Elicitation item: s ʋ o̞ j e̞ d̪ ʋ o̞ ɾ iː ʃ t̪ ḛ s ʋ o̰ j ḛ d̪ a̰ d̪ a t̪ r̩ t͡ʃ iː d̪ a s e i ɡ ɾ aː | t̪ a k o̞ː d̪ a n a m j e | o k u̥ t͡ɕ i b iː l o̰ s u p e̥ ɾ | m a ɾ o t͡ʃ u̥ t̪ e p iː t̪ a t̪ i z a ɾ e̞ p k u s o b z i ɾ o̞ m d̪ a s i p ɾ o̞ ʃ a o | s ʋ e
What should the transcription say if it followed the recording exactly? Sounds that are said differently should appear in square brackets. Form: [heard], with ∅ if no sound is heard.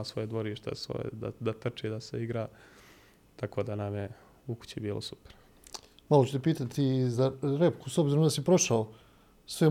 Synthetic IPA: s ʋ o̞ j e̞ d̪ ʋ o̞ ɾ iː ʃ t̪ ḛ s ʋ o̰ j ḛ d̪ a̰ d̪ a t̪ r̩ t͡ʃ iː d̪ a s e i ɡ ɾ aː | t̪ a k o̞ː d̪ a n a m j e | [u] k u̥ t͡ɕ i b iː l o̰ s u p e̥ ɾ | m a [l] o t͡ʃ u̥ t̪ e p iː t̪ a t̪ i z a ɾ e̞ p k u s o b z i ɾ o̞ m d̪ a s i p ɾ o̞ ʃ a o | s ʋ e